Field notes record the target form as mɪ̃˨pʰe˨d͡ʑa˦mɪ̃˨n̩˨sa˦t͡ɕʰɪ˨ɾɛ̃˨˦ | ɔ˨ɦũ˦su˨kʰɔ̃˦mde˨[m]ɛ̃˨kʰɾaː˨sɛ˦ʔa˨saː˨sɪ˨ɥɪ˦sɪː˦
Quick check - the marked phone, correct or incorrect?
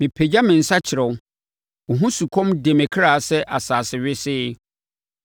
correct